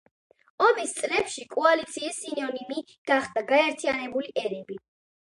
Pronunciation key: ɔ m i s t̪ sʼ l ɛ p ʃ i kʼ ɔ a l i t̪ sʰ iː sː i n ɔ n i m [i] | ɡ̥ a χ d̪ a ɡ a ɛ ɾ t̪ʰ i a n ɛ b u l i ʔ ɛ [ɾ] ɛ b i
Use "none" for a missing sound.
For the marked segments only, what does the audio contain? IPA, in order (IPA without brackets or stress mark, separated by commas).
i, ɾ